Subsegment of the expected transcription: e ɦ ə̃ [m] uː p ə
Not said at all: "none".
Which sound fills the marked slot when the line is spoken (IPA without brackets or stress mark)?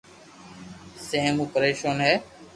m